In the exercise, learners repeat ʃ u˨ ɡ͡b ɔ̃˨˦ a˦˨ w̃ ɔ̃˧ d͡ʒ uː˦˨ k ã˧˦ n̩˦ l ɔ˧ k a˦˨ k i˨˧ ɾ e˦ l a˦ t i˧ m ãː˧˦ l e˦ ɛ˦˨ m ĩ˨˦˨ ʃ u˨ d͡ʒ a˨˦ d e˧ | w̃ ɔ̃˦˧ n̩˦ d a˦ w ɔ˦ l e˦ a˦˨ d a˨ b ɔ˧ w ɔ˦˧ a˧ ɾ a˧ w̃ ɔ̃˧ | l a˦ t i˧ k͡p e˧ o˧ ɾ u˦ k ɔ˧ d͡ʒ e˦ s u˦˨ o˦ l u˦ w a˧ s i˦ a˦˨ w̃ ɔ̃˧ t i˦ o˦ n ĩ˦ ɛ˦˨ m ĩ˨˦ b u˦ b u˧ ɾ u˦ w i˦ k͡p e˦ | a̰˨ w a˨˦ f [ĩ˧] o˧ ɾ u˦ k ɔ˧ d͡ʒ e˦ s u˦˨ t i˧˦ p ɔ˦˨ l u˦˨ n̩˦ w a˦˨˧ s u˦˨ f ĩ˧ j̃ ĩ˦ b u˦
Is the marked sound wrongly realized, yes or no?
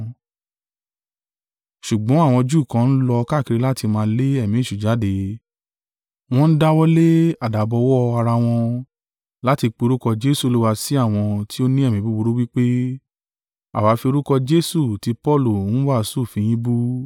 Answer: yes